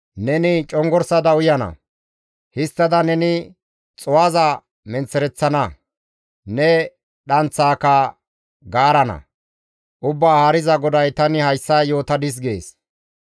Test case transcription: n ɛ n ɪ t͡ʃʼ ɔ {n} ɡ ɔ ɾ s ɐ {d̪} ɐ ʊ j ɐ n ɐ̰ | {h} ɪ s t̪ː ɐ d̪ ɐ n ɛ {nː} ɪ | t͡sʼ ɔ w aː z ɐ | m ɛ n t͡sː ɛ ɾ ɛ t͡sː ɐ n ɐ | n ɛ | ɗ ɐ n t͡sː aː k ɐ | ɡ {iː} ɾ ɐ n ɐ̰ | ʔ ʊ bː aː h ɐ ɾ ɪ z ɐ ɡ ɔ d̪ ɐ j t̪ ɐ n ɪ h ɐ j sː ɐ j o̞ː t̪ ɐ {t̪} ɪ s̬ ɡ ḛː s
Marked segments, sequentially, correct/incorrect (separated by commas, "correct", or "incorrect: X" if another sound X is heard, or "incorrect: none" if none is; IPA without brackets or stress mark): incorrect: ŋ, correct, correct, incorrect: n, incorrect: aː, incorrect: d̪